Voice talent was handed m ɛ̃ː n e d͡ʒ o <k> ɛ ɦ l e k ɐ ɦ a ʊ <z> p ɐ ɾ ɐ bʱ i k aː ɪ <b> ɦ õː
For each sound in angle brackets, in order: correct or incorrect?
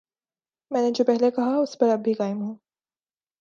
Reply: incorrect: p, incorrect: s, incorrect: m

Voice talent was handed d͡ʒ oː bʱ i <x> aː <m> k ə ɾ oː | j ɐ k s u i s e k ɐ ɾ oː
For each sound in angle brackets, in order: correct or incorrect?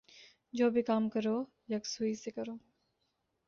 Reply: incorrect: k, correct

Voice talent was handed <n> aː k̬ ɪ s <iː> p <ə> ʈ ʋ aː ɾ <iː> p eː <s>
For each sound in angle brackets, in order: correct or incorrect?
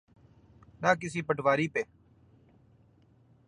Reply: correct, correct, correct, correct, incorrect: none

